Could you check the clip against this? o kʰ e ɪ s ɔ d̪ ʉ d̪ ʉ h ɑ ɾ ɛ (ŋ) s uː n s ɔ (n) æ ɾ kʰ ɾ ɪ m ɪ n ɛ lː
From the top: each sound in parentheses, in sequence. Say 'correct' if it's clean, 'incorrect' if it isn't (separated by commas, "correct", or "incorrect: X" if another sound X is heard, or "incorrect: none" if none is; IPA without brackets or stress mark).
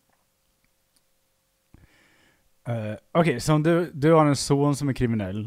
incorrect: n, incorrect: m